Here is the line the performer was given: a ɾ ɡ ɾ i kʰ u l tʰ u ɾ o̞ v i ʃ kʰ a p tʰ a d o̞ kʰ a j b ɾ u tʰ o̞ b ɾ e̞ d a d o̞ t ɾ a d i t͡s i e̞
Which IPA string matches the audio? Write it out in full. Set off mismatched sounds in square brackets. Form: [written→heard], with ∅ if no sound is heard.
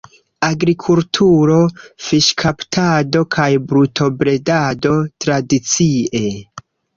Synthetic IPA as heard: a [ɾ→∅] ɡ ɾ i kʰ u l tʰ u ɾ o̞ [v→f] i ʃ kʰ a p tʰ a d o̞ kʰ a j b ɾ u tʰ o̞ b ɾ e̞ d a d o̞ t ɾ a d i t͡s i e̞